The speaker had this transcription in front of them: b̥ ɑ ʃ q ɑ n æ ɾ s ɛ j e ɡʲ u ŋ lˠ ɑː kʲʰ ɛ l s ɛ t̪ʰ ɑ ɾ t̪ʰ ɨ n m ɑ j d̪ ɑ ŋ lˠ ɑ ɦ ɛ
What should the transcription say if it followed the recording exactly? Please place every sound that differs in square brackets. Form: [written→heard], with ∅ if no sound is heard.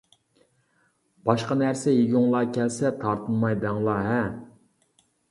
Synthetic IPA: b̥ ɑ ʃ q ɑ n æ ɾ s ɛ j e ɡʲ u ŋ lˠ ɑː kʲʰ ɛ l s ɛ t̪ʰ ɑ ɾ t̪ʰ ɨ n m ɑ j d̪ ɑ ŋ lˠ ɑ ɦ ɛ